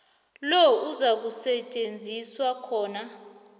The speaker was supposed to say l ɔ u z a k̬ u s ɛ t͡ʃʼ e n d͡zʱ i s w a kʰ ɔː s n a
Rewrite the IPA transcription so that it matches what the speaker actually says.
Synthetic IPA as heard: l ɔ u z a k̬ u s ɛ t͡ʃʼ e n d͡zʱ i s w a kʰ ɔː n a